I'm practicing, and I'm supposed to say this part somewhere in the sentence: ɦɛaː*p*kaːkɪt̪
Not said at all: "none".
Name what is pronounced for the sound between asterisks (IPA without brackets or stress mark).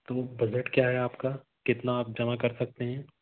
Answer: p